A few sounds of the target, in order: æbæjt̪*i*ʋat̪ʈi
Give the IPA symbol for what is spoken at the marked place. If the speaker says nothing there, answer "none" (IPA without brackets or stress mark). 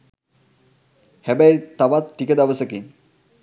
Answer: a